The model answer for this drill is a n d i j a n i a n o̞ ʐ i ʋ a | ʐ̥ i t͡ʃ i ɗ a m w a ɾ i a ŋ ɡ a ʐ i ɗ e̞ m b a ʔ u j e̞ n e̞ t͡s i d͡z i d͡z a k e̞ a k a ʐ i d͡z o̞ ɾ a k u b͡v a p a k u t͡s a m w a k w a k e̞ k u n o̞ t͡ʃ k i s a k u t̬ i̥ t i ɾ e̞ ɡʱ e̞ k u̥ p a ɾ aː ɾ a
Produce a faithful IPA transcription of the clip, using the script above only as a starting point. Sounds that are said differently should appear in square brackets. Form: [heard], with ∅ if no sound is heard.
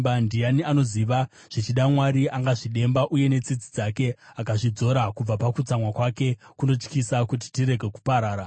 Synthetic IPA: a n d i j a n i a n o̞ [z] i ʋ a | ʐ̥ i t͡ʃ i ɗ a m w a ɾ i a ŋ ɡ a ʐ i ɗ e̞ m b a ʔ u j e̞ n e̞ t͡s i d͡z i d͡z a k e̞ a k a ʐ i d͡z o̞ ɾ a k u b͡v a p a k u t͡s a m w a k w a k e̞ k u n o̞ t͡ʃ k i s a k u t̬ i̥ t i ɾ e̞ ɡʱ e̞ k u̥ p a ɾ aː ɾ a